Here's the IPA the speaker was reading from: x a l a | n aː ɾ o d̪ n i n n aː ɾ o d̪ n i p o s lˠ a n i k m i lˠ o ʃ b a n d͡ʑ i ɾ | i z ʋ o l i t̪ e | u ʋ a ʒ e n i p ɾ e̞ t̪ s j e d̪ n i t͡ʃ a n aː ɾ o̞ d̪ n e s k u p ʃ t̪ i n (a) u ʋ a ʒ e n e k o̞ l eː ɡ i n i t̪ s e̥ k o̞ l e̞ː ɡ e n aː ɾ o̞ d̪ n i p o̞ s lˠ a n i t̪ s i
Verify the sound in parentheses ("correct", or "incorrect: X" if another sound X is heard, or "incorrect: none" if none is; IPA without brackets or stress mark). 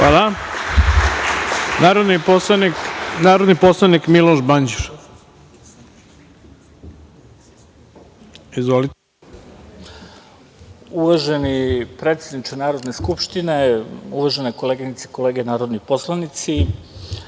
incorrect: e